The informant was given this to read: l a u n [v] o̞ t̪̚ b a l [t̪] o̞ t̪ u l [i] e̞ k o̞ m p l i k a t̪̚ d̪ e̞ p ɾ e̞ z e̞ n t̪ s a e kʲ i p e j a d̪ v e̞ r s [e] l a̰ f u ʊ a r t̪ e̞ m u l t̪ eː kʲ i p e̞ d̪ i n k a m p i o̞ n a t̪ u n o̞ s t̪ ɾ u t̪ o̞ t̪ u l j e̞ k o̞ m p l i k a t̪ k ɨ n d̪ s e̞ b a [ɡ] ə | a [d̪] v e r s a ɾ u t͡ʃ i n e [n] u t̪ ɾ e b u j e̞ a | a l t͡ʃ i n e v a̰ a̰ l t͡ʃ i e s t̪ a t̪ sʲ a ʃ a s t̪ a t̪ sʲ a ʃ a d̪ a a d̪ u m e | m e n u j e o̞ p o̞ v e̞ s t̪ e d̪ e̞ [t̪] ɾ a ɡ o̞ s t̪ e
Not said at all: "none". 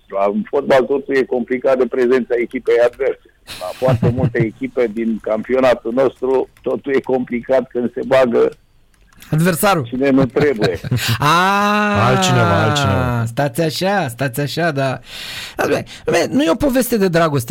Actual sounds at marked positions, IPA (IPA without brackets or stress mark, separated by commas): f, t̪, j, e, ɡ, d̪, n, d̪